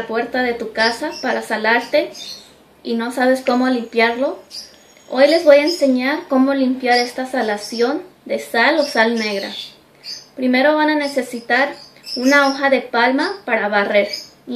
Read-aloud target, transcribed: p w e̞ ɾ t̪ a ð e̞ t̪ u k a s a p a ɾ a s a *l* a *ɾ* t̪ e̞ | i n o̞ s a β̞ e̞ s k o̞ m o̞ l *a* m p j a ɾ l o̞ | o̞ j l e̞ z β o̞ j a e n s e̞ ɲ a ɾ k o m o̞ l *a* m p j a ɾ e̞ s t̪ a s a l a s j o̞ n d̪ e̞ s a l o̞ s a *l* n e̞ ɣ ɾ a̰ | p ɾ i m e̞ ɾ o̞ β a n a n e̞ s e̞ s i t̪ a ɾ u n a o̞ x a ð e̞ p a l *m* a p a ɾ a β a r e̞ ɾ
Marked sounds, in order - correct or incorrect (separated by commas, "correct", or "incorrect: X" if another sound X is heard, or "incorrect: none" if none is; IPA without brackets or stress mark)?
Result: correct, correct, incorrect: i, incorrect: i, correct, correct